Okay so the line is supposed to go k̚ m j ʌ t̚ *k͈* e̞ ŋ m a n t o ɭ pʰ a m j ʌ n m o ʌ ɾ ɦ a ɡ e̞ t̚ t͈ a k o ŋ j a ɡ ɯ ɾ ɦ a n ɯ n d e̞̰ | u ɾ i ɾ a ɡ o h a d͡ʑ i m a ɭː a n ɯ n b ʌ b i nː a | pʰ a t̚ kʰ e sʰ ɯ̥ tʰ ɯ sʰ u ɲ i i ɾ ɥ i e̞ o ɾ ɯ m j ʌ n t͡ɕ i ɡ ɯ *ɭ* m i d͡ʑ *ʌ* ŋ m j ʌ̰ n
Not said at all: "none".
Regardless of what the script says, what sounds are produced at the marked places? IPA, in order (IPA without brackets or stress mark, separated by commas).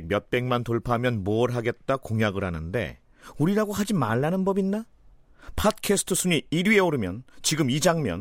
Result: p͈, none, a